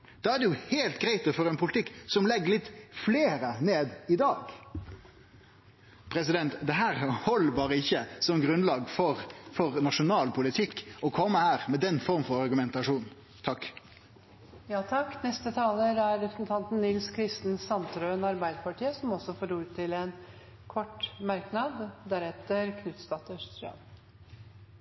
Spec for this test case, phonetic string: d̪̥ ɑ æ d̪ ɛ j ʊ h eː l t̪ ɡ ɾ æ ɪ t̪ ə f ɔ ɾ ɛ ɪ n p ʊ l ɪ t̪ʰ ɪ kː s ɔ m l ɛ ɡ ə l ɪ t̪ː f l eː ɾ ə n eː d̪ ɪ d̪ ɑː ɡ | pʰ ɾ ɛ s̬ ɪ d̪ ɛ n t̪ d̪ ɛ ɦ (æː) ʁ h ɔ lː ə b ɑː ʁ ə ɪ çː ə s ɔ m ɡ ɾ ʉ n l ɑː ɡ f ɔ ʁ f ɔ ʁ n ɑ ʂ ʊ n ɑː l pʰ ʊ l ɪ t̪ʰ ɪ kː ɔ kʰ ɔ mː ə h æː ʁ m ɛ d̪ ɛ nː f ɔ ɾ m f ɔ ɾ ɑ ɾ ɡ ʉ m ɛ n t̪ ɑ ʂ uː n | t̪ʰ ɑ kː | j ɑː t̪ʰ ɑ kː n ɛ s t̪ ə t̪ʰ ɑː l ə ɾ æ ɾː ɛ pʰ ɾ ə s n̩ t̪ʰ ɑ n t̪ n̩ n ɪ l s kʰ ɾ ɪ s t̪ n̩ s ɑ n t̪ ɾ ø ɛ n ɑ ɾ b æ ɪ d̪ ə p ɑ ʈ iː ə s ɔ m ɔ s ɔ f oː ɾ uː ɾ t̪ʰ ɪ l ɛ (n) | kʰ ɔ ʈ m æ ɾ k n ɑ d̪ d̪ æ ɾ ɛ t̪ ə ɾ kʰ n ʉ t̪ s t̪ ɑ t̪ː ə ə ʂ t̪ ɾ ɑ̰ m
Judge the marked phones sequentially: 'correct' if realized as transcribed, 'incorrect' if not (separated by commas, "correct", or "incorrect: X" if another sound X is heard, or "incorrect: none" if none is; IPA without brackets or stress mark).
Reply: correct, correct